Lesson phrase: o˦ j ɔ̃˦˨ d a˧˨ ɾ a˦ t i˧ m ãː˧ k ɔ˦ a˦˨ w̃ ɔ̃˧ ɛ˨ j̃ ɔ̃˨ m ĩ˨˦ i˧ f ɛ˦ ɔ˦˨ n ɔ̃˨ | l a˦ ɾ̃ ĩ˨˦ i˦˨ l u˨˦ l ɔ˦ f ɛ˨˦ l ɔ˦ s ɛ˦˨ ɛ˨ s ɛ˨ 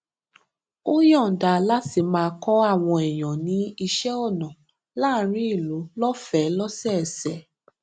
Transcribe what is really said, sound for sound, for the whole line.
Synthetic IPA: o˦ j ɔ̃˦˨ d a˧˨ l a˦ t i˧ m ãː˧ k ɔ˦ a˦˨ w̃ ɔ̃˧ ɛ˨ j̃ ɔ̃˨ n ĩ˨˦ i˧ ʃ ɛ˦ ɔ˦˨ n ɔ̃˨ | l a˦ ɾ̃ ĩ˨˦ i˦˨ l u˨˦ l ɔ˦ f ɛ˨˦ l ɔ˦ s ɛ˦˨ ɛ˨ s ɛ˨